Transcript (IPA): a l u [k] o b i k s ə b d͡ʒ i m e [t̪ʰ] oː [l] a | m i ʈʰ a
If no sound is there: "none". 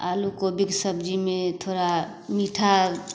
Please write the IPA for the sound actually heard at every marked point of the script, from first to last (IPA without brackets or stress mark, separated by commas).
k, t̪ʰ, ɾ